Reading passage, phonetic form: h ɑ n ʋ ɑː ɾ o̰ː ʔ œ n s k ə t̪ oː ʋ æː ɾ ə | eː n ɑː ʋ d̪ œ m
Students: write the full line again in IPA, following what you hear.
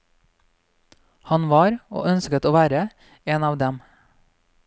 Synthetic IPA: h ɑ n ʋ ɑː ɾ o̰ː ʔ œ n s k ə t̪ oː ʋ æː ɾ ə | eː n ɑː ʋ d̪ ɛ m